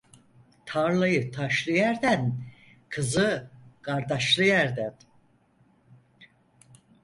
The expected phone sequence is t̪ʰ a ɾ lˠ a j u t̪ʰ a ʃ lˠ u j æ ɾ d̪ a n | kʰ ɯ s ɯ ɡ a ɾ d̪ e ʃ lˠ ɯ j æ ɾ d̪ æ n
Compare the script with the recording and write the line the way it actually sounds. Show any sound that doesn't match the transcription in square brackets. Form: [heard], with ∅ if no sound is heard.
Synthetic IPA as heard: t̪ʰ a ɾ lˠ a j [ɯ] t̪ʰ a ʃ lˠ [ɯ] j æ ɾ d̪ [æ] n | kʰ ɯ [z] ɯ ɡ a ɾ d̪ [a] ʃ lˠ ɯ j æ ɾ d̪ æ n